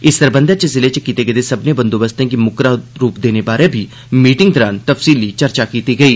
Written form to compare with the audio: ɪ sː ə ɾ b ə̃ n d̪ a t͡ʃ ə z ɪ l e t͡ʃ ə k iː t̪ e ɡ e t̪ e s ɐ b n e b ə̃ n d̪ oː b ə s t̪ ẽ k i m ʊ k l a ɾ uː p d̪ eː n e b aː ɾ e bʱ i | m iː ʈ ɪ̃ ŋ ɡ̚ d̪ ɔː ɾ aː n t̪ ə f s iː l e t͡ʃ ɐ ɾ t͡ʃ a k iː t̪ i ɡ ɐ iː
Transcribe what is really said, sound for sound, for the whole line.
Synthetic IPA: ɪ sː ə ɾ b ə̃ n d̪ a t͡ʃ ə z ɪ l e t͡ʃ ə k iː t̪ e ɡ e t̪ e s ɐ b n e b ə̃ n d̪ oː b ə s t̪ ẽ k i m ʊ k ɾ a ɾ uː p d̪ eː n e b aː ɾ e bʱ i | m iː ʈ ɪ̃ ŋ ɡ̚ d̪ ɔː ɾ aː n t̪ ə f s iː l i t͡ʃ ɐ ɾ t͡ʃ a k iː t̪ i ɡ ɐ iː

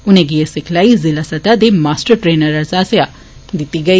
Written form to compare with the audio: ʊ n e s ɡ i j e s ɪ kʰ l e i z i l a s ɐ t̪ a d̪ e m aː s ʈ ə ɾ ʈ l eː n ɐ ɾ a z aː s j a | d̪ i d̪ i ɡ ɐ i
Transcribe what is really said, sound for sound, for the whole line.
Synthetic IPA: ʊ n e ɡ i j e s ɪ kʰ l a i z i l a s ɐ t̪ a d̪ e m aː s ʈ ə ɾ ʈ ɾ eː n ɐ ɾ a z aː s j a | d̪ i t̪ i ɡ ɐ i

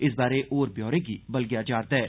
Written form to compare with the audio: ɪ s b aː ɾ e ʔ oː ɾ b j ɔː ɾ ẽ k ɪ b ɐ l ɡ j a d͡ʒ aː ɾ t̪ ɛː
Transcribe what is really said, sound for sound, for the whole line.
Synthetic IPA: ɪ s b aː ɾ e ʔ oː ɾ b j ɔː ɾ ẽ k i b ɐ l ɡ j a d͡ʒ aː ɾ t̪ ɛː

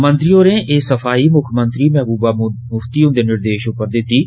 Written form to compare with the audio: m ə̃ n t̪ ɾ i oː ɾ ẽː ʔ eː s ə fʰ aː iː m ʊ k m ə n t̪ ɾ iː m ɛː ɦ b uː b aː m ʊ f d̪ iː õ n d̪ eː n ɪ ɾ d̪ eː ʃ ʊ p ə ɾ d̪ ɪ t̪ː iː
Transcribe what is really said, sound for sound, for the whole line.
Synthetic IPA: m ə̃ n t̪ ɾ i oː ɾ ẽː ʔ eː s ə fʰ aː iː m ʊ kʰ m ə n t̪ ɾ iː m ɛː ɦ b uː b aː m ʊ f t̪ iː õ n d̪ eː n ɪ ɾ d̪ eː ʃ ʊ p ə ɾ d̪ ɪ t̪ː iː

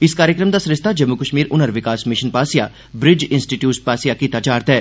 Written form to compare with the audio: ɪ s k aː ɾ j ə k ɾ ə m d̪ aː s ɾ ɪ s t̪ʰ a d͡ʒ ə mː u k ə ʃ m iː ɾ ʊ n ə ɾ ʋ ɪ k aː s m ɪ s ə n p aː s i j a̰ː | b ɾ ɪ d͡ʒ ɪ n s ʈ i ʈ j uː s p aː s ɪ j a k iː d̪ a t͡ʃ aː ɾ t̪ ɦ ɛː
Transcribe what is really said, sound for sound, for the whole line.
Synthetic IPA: ɪ s k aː ɾ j ə k ɾ ə m d̪ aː s ɾ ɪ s t̪ʰ a d͡ʒ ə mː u k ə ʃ m iː ɾ ʊ n ə ɾ ʋ ɪ k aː s m ɪ ʃ ə n p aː s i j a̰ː | b ɾ ɪ d͡ʒ ɪ n s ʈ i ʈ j uː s p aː s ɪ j a k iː t̪ a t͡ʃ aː ɾ t̪ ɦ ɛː

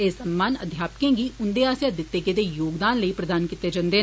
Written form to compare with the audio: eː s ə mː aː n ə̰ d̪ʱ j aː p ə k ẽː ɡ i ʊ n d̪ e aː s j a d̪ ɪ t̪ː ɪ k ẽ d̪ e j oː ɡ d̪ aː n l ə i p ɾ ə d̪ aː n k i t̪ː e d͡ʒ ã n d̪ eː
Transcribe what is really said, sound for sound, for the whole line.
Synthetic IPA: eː s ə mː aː n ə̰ d̪ʱ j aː p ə k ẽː ɡ i ʊ n d̪ e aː s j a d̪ ɪ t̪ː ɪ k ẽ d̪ e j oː ɡ d̪ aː n l ə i p ɾ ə d̪ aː n k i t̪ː e d͡ʒ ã n d̪ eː

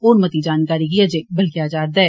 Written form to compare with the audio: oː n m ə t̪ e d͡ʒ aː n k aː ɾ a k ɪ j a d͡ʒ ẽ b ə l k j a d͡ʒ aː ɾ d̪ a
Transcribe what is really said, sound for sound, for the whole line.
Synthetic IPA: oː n m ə t̪ i d͡ʒ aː n k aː ɾ i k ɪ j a d͡ʒ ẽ b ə l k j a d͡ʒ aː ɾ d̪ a

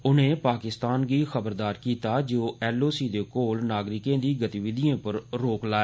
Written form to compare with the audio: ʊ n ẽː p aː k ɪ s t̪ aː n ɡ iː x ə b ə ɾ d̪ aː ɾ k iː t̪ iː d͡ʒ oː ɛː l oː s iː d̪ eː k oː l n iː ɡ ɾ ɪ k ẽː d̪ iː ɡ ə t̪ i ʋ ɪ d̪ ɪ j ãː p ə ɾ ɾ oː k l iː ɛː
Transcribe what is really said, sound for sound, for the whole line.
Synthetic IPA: ʊ n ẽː p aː k ɪ s t̪ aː n ɡ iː x ə b ə ɾ d̪ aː ɾ k iː t̪ aː d͡ʒ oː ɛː l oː s iː d̪ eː k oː l n aː ɡ ɾ ɪ k ẽː d̪ iː ɡ ə t̪ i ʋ ɪ d̪ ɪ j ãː p ə ɾ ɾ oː k l aː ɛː

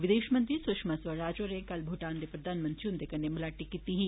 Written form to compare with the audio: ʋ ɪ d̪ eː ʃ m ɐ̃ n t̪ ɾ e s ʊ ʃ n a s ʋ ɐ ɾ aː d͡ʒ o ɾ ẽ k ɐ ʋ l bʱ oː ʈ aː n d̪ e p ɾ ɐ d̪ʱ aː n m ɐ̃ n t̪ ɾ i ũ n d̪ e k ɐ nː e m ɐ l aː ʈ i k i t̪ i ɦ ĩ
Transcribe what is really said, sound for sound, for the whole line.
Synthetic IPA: ʋ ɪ d̪ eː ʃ m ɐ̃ n t̪ ɾ i s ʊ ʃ m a s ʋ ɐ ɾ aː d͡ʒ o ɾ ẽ k ɐ l bʱ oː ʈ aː n d̪ e p ɾ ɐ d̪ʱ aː n m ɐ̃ n t̪ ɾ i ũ n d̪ e k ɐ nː e m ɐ l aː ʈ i k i t̪ i ɦ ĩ

